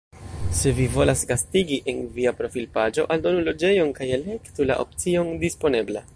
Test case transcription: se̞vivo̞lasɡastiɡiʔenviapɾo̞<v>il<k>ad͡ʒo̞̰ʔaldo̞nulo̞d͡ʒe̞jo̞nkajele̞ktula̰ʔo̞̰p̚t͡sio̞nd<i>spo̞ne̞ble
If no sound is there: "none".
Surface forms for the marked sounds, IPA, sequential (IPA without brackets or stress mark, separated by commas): f, p, i